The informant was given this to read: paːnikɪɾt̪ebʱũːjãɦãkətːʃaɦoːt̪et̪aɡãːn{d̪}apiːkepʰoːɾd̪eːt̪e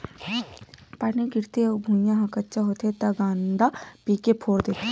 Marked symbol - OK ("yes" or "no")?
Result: yes